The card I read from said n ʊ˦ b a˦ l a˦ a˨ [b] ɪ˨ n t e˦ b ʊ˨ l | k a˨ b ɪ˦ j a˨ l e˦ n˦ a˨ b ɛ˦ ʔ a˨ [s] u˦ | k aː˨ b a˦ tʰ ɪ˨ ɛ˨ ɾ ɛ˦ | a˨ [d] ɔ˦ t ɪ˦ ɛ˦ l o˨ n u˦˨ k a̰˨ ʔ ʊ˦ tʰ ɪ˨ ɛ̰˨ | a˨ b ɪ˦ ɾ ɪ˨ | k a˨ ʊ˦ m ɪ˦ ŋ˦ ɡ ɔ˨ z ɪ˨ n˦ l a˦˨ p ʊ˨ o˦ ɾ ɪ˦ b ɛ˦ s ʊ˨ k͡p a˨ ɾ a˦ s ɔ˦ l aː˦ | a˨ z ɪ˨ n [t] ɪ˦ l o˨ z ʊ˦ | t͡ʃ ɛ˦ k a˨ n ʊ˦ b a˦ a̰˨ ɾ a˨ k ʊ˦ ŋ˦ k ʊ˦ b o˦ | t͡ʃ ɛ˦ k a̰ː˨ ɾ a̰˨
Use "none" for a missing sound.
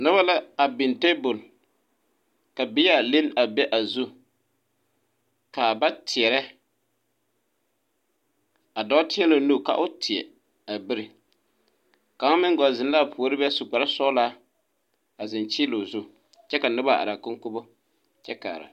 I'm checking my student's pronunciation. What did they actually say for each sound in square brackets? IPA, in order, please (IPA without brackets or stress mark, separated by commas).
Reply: b, z, d, t͡ʃ